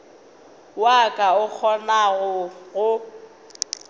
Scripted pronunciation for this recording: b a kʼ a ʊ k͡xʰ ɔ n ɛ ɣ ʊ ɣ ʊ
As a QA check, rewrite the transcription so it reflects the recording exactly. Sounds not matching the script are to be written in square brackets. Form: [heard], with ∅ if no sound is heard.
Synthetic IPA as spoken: [w] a kʼ a ʊ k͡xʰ ɔ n [a] ɣ ʊ ɣ ʊ

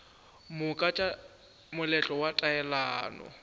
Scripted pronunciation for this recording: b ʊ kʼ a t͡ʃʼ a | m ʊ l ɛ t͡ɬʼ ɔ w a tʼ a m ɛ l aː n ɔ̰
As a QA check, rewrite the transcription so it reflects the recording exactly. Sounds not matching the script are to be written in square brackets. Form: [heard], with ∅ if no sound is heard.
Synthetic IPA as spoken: [m] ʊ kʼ a t͡ʃʼ a | m ʊ l ɛ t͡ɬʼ ɔ w a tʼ a [∅] ɛ l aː n ɔ̰

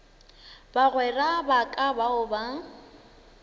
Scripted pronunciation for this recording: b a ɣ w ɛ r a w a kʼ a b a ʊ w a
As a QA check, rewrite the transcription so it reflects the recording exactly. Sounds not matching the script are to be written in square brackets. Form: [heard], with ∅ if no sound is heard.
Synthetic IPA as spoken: b a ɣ w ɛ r a [b] a kʼ a b a ʊ [b] a

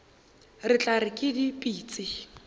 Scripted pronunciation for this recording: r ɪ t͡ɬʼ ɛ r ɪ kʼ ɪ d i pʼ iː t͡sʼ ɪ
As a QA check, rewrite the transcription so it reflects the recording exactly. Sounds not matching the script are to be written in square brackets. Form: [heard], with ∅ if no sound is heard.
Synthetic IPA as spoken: r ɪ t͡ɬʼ [a] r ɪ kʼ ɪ d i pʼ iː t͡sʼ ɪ

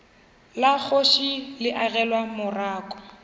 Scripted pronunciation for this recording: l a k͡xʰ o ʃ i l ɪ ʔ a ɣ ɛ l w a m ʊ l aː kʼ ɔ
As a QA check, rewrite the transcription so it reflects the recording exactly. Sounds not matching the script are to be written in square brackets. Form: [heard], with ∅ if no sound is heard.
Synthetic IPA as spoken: l a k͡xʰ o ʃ i l ɪ ʔ a ɣ ɛ l w a m ʊ [r] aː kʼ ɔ

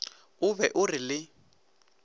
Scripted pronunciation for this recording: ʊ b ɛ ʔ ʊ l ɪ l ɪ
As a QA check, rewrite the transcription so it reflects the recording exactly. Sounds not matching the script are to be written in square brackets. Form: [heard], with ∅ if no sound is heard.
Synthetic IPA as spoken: ʊ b ɛ ʔ ʊ [r] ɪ l ɪ

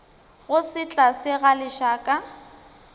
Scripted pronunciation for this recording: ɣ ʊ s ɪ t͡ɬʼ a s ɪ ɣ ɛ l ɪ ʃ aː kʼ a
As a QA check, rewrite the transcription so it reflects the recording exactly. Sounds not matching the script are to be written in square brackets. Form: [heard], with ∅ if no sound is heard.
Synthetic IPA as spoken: ɣ ʊ s ɪ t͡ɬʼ a s ɪ ɣ [a] l ɪ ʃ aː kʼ a

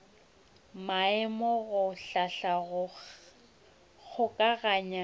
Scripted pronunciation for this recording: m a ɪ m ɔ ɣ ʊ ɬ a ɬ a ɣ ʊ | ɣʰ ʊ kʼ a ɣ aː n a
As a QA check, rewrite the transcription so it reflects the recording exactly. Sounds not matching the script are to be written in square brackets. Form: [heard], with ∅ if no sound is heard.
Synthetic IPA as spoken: m a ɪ m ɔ ɣ ʊ ɬ a ɬ a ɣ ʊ | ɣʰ ʊ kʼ a ɣ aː [ɲ] a

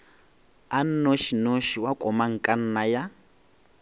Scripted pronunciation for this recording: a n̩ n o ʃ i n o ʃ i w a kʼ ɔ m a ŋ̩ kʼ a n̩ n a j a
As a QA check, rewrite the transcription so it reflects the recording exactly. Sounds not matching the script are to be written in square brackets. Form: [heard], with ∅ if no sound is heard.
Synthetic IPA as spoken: a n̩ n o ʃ i n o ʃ i w a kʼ ɔ m a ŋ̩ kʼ a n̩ n a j a

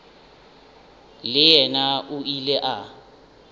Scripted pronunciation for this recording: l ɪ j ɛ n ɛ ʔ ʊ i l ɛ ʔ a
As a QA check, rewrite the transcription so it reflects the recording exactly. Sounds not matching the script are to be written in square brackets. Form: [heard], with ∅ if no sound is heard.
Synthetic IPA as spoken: l ɪ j ɛ n [a] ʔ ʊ i l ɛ ʔ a

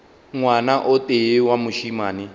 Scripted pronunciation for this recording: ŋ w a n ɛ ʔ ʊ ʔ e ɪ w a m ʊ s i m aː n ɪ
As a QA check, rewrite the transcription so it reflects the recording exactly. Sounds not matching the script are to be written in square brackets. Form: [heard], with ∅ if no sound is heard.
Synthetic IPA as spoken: ŋ w a n [a] ʔ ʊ [t] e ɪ w a m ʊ [ʃ] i m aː n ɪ

